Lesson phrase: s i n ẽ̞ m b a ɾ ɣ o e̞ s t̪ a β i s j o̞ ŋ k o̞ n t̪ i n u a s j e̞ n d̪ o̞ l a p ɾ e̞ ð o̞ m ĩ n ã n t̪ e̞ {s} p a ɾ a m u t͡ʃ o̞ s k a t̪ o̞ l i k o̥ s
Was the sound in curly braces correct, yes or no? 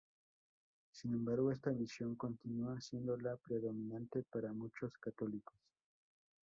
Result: no